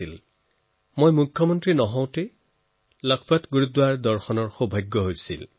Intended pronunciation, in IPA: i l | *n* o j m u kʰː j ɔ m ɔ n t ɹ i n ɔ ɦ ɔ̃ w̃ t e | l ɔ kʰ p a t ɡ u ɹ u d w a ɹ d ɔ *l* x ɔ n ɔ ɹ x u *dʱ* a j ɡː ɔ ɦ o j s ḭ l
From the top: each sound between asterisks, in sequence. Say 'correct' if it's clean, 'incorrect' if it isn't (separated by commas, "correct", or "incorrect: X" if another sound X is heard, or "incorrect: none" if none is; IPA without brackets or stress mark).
incorrect: m, incorrect: ɹ, incorrect: bʱ